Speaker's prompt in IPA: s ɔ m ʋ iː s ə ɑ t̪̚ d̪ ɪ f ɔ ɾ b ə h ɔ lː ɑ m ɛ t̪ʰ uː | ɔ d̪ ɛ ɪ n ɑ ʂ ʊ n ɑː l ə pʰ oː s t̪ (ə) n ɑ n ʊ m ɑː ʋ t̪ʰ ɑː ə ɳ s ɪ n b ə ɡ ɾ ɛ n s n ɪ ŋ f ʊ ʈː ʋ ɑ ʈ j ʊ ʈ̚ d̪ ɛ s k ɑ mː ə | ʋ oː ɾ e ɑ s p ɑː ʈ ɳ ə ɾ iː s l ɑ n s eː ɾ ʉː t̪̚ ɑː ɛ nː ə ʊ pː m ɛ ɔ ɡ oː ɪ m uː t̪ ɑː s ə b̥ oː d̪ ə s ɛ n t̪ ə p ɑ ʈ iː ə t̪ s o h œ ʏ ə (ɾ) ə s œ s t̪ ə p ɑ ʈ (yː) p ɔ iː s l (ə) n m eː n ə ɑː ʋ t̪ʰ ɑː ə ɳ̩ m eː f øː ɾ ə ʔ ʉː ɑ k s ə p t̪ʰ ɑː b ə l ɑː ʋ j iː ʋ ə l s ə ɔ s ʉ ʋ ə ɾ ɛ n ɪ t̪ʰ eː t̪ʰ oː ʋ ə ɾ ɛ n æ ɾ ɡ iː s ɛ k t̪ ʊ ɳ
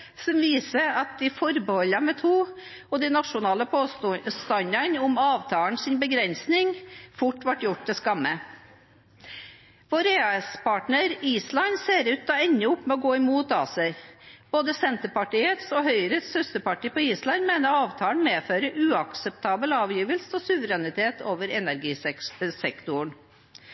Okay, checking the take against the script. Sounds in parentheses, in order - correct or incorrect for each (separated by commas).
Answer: incorrect, correct, incorrect, incorrect